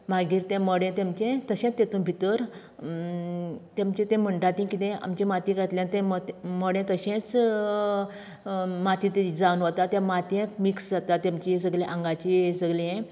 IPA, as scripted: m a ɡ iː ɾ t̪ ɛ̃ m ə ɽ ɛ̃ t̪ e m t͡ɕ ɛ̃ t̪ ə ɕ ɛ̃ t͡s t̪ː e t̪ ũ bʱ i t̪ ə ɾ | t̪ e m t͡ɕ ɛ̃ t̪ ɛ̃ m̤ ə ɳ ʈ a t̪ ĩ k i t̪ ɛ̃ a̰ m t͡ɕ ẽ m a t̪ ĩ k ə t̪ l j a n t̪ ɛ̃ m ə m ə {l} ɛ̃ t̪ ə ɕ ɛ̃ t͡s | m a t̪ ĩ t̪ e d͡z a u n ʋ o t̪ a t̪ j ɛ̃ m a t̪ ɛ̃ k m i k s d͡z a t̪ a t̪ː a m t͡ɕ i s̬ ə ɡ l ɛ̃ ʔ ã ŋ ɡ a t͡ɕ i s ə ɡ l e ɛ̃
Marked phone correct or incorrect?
incorrect